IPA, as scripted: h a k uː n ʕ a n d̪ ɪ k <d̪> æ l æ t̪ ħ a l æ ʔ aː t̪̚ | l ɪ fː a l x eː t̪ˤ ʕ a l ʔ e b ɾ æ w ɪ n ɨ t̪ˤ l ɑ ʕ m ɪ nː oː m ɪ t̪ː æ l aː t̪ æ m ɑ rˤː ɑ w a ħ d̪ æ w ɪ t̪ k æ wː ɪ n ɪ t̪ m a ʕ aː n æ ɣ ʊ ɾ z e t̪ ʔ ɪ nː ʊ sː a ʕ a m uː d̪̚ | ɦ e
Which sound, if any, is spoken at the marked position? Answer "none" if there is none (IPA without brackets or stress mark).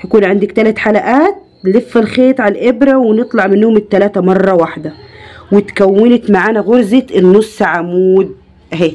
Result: t̪